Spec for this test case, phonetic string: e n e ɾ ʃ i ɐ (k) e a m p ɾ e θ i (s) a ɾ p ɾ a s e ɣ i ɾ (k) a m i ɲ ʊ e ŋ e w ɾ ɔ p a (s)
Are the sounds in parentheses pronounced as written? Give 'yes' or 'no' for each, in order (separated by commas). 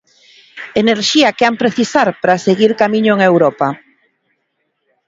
yes, yes, yes, no